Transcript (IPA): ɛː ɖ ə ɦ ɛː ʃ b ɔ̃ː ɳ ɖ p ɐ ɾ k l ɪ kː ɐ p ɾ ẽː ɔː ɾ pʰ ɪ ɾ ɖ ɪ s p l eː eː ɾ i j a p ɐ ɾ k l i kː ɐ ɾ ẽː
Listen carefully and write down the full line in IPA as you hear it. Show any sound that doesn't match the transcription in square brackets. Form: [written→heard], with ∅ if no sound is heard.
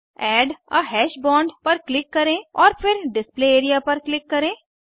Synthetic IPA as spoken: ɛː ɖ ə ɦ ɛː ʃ b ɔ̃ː ɳ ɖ p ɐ ɾ k l ɪ kː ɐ [p→∅] ɾ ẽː ɔː ɾ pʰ ɪ ɾ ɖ ɪ s p l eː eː ɾ i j a p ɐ ɾ k l [i→ɪ] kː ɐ ɾ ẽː